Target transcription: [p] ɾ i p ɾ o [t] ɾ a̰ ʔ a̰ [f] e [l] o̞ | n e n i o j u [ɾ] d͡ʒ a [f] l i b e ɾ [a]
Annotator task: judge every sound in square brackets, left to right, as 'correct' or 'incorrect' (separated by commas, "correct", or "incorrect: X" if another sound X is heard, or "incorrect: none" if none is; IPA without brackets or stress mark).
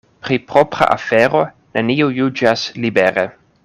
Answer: correct, incorrect: p, correct, incorrect: ɾ, incorrect: none, incorrect: s, incorrect: e